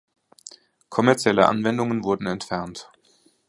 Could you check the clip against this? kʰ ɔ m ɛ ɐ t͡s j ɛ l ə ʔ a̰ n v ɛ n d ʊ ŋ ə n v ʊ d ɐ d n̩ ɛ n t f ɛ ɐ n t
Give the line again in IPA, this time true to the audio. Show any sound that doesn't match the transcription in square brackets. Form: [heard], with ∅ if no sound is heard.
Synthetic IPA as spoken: kʰ ɔ m ɛ ɐ t͡s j ɛ l ə ʔ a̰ n v ɛ n d ʊ ŋ ə n v ʊ [∅] ɐ d n̩ ɛ n t f ɛ ɐ n t